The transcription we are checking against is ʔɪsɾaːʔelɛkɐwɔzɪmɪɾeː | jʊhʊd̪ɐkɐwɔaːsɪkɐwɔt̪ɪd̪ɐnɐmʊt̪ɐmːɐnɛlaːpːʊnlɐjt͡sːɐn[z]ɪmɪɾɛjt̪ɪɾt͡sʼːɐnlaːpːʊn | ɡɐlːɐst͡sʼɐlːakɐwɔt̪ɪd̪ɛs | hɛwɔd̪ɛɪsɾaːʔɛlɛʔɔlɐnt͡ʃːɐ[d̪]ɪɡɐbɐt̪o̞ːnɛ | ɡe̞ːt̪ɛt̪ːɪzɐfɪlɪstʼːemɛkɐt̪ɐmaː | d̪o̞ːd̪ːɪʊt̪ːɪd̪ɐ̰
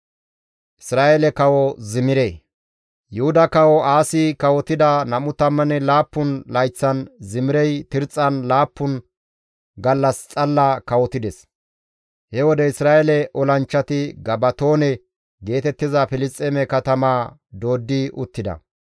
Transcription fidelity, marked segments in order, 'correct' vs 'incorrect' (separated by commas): correct, incorrect